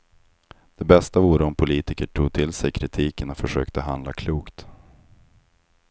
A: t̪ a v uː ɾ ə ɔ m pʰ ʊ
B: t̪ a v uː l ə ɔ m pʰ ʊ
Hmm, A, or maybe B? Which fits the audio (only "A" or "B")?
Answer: A